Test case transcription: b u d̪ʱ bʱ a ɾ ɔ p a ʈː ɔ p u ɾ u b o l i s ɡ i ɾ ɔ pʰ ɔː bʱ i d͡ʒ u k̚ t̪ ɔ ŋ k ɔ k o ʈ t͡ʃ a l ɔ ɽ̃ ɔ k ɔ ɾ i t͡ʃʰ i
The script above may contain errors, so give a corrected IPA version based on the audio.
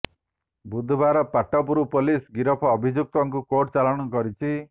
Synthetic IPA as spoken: b u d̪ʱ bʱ a ɾ ɔ p a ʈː ɔ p u ɾ u p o l i s ɡ i ɾ ɔ pʰ ɔː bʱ i d͡ʒ u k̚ t̪ ɔ ŋ k u k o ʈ t͡ʃ a l ɔ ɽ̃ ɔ k ɔ ɾ i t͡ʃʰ i